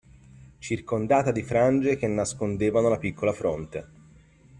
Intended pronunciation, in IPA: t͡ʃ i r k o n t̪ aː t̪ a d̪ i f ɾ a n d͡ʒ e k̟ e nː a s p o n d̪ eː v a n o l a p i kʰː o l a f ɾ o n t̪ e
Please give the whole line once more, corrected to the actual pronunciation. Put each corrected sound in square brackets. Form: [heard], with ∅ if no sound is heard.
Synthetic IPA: t͡ʃ i r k o n [d̪] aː t̪ a d̪ i f ɾ a n d͡ʒ e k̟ e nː a s [k] o n d̪ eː v a n o l a p i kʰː o l a f ɾ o n t̪ e